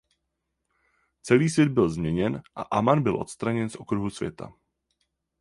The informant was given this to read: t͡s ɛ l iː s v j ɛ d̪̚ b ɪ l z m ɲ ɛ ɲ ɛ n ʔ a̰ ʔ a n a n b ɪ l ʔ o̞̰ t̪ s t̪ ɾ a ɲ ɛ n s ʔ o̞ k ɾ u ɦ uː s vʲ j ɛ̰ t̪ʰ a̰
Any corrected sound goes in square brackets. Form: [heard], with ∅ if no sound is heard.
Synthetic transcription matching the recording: t͡s ɛ l iː s v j ɛ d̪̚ b ɪ l z m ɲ ɛ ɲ ɛ n ʔ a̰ ʔ a [m] a n b ɪ l ʔ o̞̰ t̪ s t̪ ɾ a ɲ ɛ n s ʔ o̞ k ɾ u ɦ [u] s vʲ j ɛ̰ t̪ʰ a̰